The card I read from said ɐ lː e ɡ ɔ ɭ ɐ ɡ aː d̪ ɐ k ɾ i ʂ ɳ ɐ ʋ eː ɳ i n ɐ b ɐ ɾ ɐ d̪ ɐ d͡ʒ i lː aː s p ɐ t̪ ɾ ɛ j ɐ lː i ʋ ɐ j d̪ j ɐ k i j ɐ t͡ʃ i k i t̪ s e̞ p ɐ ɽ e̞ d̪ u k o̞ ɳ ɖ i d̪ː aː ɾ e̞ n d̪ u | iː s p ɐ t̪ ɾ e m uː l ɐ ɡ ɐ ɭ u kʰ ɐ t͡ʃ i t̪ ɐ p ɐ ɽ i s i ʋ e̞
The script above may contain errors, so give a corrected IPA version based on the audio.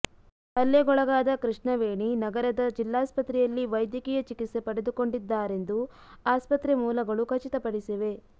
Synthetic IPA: ɐ lː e ɡ ɔ ɭ ɐ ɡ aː d̪ ɐ k ɾ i ʂ ɳ ɐ ʋ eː ɳ i n ɐ ɡ ɐ ɾ ɐ d̪ ɐ d͡ʒ i lː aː s p ɐ t̪ ɾ ɛ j ɐ lː i ʋ ɐ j d̪ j ɐ k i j ɐ t͡ʃ i k i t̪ s e̞ p ɐ ɽ e̞ d̪ u k o̞ ɳ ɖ i d̪ː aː ɾ e̞ n d̪ u | aː s p ɐ t̪ ɾ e m uː l ɐ ɡ ɐ ɭ u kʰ ɐ t͡ʃ i t̪ ɐ p ɐ ɽ i s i ʋ e̞